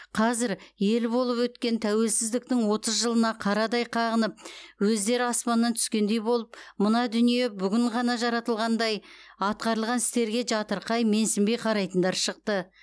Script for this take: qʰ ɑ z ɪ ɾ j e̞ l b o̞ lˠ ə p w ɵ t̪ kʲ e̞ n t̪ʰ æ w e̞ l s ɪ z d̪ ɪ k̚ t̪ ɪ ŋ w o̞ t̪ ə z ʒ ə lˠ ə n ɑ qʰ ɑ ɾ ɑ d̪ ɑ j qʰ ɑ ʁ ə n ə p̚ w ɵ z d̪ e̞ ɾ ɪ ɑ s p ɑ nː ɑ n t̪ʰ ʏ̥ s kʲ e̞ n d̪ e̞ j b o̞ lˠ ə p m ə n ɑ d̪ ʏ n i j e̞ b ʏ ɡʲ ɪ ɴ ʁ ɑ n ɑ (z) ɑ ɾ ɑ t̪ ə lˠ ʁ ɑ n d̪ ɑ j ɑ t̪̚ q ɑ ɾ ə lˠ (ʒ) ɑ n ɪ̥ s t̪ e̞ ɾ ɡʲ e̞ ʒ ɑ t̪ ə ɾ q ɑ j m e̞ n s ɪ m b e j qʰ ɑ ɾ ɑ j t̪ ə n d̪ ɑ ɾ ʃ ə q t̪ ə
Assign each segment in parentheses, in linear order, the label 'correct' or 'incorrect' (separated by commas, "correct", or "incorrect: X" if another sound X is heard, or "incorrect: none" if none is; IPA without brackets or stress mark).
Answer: incorrect: ʒ, incorrect: ʁ